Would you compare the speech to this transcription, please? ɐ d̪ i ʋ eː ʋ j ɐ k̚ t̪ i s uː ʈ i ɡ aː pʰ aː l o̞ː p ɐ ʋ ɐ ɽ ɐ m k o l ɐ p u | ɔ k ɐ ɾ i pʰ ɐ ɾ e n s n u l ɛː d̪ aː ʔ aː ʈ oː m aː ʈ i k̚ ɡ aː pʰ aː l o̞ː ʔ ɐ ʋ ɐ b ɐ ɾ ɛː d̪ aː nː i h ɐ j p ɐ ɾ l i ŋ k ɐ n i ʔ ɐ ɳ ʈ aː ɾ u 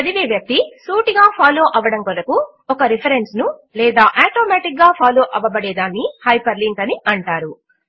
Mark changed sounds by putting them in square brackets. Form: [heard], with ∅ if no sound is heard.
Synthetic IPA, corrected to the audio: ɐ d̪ i ʋ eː ʋ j ɐ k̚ t̪ i s uː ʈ i ɡ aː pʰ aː l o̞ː [ʔ] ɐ ʋ ɐ ɽ ɐ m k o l ɐ [k] u | ɔ k ɐ ɾ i pʰ ɐ ɾ e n s n u l ɛː d̪ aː ʔ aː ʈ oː m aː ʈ i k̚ ɡ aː pʰ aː l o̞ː ʔ ɐ ʋ ɐ b ɐ [ɽ] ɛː d̪ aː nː i h ɐ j p ɐ ɾ l i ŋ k ɐ n i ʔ ɐ ɳ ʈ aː ɾ u